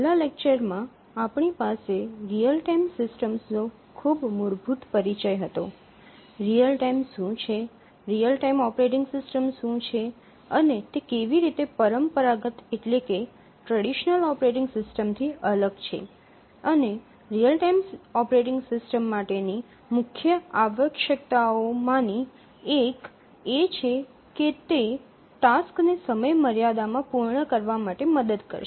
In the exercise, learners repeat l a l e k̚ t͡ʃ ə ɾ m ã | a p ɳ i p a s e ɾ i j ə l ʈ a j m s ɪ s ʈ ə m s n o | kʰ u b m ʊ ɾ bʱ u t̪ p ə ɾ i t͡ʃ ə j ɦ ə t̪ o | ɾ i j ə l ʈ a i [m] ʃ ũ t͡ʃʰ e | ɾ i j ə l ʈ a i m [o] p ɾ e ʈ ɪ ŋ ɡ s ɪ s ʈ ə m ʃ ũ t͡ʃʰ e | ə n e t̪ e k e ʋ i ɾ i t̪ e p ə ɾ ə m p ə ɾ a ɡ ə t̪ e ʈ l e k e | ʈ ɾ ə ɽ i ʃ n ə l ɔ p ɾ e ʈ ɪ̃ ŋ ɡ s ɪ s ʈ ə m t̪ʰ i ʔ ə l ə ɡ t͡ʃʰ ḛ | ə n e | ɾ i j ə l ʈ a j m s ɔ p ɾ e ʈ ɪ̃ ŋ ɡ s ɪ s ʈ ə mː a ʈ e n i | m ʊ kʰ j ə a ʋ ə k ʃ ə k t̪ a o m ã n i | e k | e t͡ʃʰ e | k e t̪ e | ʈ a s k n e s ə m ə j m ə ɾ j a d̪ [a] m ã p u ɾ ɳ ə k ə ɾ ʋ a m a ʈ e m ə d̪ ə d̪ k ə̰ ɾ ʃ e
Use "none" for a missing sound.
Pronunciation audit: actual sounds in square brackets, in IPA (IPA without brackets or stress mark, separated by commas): m, ɔ, a